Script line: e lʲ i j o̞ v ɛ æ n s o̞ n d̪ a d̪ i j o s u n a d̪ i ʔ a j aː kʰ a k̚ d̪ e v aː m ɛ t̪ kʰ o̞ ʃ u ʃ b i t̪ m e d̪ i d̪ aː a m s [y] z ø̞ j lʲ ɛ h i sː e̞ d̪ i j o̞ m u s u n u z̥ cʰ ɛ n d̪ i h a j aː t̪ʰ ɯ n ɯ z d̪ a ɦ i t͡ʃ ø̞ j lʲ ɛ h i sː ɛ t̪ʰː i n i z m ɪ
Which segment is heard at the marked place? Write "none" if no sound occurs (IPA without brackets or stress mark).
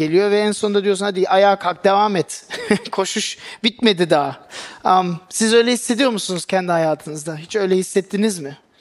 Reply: i